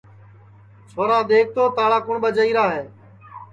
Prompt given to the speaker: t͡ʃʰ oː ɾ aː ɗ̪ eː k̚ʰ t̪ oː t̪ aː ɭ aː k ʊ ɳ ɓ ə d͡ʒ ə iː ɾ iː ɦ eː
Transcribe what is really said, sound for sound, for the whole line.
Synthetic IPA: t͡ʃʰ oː ɾ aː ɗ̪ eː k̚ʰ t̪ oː t̪ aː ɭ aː k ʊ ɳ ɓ ə d͡ʒ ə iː ɾ aː ɦ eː